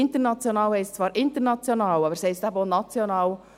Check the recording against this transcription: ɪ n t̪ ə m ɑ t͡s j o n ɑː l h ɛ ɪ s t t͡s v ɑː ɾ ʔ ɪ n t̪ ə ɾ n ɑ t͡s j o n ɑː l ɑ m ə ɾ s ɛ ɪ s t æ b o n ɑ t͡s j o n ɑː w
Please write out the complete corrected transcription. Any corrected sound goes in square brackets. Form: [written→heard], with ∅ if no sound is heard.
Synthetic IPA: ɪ n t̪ ə [m→n] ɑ t͡s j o n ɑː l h ɛ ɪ s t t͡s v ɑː ɾ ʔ ɪ n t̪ ə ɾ n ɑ t͡s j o n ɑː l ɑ [m→b] ə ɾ s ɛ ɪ s t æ b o n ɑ t͡s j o n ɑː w